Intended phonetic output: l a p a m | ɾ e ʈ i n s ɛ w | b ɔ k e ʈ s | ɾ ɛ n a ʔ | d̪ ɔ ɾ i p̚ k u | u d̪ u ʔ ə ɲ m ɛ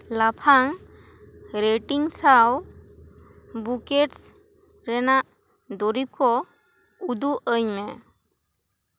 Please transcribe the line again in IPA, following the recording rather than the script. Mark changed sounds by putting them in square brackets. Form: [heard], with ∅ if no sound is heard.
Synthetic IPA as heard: l a [pʰ] a [ŋ] | ɾ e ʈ i [ŋ] s [a] w | b [u] k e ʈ s | ɾ ɛ n a ʔ | d̪ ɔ ɾ i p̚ k [ɔ] | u d̪ u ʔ ə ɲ m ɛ